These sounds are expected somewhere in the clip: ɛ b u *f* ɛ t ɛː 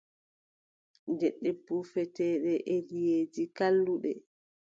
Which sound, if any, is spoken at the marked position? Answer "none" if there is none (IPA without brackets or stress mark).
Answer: f